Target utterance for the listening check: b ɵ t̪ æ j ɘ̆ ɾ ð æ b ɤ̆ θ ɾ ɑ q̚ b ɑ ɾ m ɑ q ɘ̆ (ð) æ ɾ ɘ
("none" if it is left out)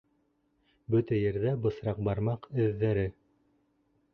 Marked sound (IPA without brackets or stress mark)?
ðː